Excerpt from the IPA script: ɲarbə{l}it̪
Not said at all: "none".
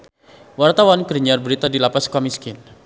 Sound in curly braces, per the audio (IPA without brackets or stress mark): ɾ